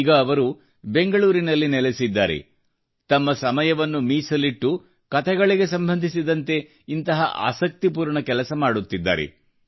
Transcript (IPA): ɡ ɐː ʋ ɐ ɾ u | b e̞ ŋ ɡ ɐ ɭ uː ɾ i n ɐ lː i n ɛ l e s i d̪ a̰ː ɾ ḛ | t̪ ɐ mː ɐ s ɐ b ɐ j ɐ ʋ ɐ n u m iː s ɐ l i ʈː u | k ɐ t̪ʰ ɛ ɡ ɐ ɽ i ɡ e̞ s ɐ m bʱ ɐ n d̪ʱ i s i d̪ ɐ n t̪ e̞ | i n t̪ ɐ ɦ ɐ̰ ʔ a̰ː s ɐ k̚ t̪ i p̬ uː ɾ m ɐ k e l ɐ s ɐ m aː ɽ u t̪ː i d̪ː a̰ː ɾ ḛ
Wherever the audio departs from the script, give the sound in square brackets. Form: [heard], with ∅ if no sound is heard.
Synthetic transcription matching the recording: ɡ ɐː ʋ ɐ ɾ u | b e̞ ŋ ɡ ɐ ɭ uː ɾ i n ɐ lː i n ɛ l e s i [d̪ː] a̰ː ɾ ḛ | t̪ ɐ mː ɐ s ɐ [m] ɐ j ɐ ʋ ɐ [nː] u m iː s ɐ l i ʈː u | k ɐ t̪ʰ ɛ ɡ ɐ [ɭ] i ɡ e̞ s ɐ m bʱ ɐ n d̪ʱ i s i d̪ ɐ n t̪ e̞ | i n t̪ ɐ ɦ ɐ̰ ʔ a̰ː s ɐ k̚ t̪ i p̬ uː ɾ [ɳ] ɐ k [ɛ] l ɐ s ɐ m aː ɽ u t̪ː i d̪ː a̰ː ɾ ḛ